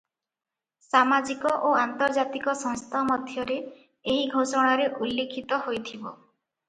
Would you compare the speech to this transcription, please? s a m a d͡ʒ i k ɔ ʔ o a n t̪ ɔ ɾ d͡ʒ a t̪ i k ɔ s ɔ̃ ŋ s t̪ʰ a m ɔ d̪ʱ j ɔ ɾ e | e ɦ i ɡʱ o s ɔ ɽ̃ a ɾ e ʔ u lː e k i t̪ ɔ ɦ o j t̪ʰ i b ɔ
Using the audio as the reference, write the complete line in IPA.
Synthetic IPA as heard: s a m a d͡ʒ i k ɔ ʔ o a n t̪ ɔ ɾ d͡ʒ a t̪ i k ɔ s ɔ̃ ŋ s t̪ʰ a m ɔ d̪ʱ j ɔ ɾ e | e ɦ i ɡʱ o s ɔ ɽ̃ a ɾ e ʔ u lː e kʰ i t̪ ɔ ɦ o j t̪ʰ i b ɔ